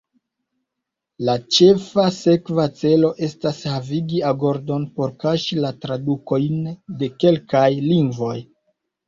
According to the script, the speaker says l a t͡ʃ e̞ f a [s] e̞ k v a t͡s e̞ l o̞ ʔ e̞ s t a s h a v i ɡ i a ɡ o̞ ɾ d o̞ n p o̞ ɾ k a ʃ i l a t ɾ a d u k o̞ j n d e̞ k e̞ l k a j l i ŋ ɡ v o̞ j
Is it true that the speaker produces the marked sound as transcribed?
yes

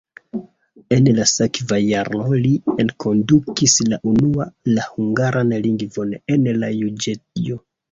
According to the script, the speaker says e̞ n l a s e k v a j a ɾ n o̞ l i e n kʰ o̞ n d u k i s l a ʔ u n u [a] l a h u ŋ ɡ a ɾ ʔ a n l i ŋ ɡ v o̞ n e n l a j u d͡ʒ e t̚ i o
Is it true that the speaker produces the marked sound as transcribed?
yes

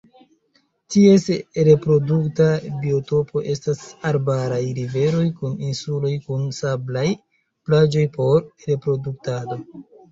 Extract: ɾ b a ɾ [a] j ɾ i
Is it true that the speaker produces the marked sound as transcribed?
yes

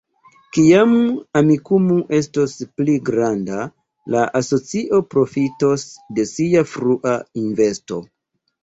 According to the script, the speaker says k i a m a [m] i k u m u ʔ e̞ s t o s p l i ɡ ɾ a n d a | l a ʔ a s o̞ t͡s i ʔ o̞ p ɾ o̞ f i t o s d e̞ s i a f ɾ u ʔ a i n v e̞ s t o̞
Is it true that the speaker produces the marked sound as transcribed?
yes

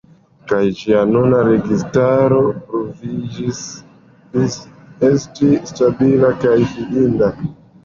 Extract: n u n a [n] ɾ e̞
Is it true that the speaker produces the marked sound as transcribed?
no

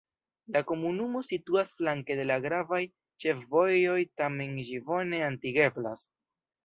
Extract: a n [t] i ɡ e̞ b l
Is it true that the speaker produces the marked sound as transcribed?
yes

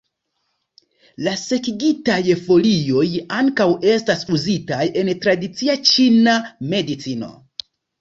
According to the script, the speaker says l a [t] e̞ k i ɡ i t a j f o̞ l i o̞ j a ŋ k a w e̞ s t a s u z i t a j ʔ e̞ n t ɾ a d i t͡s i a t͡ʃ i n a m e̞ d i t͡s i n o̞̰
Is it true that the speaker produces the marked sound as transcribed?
no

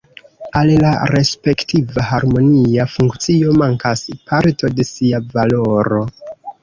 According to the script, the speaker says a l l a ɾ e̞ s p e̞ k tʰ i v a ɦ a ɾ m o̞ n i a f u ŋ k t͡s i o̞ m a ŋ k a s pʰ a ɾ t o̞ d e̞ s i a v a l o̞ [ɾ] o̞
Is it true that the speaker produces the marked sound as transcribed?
yes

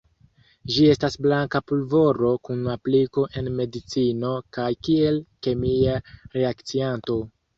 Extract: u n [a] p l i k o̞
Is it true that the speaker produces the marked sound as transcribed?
yes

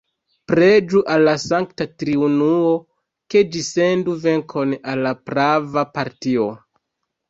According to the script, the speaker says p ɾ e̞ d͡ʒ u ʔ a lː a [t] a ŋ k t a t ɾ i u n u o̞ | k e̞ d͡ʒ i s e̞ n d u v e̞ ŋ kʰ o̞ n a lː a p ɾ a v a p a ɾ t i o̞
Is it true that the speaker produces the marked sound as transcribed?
no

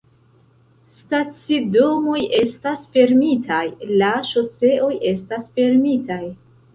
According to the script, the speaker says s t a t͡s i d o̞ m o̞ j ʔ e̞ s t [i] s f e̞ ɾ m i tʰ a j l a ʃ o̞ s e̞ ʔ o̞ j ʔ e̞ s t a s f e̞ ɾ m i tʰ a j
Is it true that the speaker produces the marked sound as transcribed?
no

